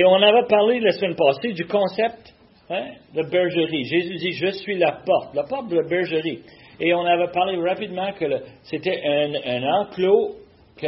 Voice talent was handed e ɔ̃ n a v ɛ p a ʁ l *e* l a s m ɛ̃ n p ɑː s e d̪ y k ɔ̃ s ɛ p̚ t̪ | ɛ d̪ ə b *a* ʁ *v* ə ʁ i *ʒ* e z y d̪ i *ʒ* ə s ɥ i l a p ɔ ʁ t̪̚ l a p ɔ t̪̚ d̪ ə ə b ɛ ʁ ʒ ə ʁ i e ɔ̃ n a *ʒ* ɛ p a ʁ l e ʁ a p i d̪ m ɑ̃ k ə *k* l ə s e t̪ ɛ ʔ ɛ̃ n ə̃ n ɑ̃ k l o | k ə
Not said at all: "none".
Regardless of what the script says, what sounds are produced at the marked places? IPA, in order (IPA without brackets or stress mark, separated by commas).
e, ɛ, ʒ, ʒ, ʒ, v, none